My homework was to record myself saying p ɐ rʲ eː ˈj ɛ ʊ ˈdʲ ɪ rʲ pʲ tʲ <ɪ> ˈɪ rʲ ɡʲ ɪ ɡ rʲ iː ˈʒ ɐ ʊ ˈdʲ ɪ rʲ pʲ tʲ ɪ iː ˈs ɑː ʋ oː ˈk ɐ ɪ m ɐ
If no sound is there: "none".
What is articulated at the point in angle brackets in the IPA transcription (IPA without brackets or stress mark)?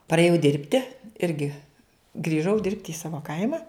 ɪ